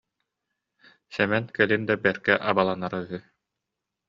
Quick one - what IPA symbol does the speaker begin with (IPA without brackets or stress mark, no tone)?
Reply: s